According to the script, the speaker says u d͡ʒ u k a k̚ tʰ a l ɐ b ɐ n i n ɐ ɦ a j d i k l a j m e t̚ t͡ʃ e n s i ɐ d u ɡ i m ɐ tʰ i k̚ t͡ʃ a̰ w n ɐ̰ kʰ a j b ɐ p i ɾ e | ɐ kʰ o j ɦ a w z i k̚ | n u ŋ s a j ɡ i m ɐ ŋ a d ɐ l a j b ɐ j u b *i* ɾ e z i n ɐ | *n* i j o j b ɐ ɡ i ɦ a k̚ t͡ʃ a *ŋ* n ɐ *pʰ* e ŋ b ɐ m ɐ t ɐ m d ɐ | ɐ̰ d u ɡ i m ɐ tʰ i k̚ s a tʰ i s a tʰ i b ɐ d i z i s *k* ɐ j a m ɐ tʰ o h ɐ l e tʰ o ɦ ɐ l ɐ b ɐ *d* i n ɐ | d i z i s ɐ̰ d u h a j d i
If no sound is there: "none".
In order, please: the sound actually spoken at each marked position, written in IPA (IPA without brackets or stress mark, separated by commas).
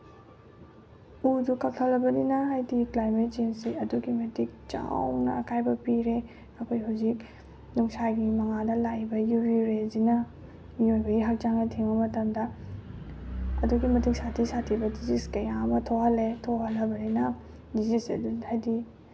i, m, ŋ, tʰ, k, n